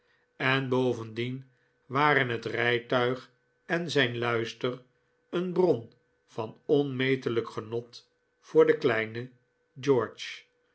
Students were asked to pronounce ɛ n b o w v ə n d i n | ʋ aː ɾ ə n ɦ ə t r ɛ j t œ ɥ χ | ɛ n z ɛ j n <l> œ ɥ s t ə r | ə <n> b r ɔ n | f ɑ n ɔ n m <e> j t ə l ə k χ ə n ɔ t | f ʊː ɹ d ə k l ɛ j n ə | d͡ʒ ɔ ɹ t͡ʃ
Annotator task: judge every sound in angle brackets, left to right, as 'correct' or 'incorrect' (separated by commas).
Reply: correct, correct, correct